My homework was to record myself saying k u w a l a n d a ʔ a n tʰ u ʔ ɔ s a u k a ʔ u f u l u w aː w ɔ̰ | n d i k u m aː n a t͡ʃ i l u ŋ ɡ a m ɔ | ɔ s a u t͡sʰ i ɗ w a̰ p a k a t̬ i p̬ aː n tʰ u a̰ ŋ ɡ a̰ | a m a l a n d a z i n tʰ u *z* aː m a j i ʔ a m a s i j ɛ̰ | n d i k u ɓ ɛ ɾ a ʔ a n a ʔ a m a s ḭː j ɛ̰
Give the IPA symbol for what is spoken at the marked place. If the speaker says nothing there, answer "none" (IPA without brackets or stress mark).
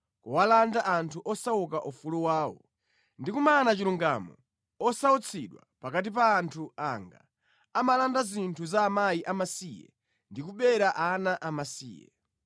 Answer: z